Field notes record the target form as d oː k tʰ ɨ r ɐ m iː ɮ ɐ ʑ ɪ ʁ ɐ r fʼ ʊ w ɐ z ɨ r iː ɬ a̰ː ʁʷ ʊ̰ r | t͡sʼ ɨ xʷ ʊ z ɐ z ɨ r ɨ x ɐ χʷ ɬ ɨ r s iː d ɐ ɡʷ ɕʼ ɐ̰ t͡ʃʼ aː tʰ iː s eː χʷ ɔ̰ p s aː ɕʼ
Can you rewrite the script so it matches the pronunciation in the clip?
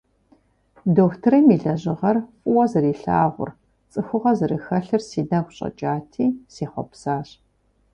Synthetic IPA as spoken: d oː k tʰ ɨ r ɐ m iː ɮ ɐ ʑ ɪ ʁ ɐ r fʼ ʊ w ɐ z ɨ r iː ɬ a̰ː ʁʷ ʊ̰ r | t͡sʼ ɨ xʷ ʊ ʁ ɐ z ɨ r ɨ x ɐ ɬ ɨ r s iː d ɐ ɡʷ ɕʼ ɐ̰ t͡ʃʼ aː tʰ iː s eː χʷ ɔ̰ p s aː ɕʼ